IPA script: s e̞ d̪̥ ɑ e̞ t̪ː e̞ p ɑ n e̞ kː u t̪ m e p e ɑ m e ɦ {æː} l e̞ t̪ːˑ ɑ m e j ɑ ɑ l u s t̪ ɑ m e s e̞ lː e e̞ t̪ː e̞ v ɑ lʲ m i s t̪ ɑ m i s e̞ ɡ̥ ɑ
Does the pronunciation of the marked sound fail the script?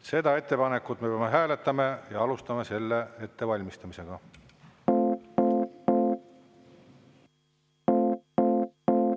no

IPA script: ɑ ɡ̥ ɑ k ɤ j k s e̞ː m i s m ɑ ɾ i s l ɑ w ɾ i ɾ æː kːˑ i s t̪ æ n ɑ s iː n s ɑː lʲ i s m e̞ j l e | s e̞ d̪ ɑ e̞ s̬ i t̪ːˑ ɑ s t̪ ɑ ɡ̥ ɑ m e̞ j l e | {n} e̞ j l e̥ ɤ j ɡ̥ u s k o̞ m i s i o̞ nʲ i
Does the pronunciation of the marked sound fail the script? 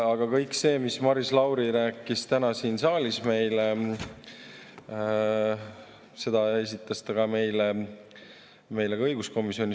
yes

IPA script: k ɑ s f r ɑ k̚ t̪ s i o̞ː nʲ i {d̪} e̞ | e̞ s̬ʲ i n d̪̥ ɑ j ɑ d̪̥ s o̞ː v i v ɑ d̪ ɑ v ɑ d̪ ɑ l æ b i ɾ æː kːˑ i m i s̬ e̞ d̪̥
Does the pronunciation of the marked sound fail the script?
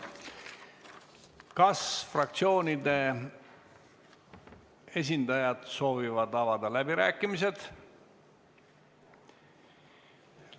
no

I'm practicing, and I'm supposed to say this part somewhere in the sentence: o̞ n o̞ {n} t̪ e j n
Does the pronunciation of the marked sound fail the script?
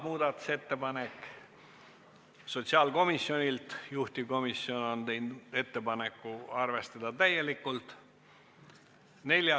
no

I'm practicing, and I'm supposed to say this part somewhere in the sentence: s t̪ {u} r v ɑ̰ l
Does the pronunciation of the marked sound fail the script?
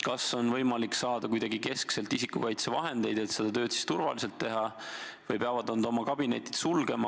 no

